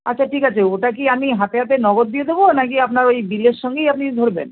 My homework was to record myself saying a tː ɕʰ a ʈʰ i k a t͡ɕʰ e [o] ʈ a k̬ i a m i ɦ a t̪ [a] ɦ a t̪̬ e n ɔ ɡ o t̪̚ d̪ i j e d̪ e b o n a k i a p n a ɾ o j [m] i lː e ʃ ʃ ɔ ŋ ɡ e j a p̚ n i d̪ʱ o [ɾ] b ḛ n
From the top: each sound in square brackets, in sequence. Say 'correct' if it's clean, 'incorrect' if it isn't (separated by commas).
correct, incorrect, incorrect, correct